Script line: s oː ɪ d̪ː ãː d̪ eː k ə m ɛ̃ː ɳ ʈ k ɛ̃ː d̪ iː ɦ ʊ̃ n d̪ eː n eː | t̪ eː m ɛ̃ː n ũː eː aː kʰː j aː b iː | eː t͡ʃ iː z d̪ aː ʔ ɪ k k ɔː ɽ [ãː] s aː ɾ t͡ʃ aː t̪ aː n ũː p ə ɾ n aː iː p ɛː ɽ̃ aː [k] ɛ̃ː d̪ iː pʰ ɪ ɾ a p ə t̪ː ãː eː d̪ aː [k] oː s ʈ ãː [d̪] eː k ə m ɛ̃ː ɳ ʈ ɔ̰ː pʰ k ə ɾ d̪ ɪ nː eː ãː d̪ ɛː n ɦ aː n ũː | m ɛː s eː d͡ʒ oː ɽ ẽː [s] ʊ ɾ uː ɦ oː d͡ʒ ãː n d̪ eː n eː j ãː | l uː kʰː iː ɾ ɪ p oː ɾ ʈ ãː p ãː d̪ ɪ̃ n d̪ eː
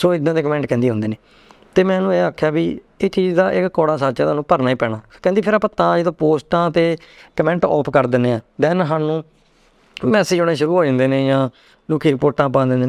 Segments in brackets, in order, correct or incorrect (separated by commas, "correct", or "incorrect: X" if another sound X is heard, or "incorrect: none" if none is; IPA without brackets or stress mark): incorrect: aː, correct, incorrect: p, incorrect: t̪, incorrect: ʃ